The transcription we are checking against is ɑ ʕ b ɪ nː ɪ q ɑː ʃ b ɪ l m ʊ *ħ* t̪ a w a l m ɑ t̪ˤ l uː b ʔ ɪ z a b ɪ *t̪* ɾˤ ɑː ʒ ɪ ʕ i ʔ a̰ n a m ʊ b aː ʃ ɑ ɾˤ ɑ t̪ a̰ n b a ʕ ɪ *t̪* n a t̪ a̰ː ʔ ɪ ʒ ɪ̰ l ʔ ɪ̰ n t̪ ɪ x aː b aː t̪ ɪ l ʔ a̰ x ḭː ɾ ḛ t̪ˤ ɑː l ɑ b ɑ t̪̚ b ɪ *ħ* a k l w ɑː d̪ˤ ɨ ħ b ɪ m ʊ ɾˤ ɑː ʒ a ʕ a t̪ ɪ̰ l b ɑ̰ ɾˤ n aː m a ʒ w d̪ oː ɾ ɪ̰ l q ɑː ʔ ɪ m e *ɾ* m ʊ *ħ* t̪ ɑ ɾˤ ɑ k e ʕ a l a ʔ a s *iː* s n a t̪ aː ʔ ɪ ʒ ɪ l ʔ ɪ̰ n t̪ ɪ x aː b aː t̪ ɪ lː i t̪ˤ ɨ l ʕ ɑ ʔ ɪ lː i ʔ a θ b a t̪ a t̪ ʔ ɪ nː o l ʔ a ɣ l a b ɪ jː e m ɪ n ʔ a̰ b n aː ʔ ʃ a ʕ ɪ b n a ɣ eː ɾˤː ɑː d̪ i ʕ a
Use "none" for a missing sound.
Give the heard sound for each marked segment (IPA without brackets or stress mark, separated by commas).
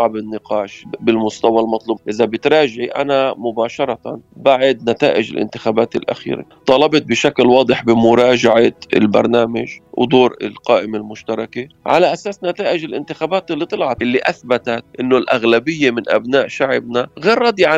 s, t̪, d̪, ʃ, l, ʃ, aː